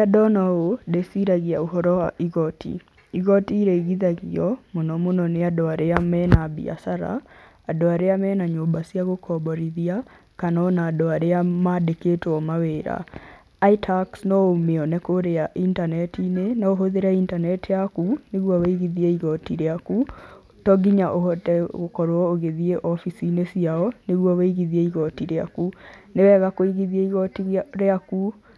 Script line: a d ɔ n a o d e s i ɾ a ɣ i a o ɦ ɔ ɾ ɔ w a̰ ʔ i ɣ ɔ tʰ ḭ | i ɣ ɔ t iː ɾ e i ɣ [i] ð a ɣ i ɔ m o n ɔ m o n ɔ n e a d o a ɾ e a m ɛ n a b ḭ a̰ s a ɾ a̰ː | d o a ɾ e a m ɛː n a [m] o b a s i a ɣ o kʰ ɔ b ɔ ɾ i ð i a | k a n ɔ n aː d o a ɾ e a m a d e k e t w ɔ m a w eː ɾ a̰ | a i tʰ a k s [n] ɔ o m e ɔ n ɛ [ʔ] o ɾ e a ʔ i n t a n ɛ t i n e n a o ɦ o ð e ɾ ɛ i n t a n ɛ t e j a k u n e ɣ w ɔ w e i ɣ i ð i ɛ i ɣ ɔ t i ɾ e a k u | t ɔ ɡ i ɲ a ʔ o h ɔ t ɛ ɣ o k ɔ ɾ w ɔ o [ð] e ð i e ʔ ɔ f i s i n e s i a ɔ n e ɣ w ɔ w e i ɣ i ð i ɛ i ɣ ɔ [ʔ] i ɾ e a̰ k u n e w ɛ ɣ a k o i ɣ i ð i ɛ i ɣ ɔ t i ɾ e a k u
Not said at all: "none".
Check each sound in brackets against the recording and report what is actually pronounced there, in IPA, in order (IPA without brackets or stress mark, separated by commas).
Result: i, ɲ, n, k, ɣ, t